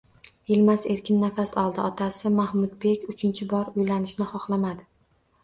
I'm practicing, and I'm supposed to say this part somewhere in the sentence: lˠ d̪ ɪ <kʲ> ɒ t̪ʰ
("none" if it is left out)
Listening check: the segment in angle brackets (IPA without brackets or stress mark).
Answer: none